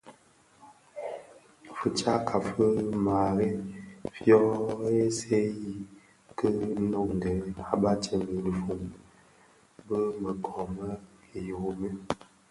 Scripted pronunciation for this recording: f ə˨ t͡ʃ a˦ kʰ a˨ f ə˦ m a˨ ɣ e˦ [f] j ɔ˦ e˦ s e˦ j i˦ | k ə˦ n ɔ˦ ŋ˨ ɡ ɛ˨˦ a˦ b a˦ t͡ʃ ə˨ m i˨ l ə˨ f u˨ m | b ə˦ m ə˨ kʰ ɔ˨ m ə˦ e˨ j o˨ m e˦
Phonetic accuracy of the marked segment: correct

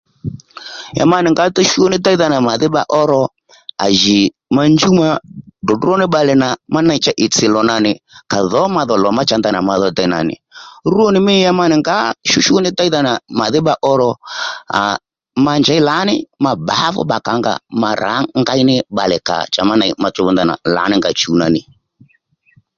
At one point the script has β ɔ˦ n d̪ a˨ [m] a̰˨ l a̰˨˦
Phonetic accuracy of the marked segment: incorrect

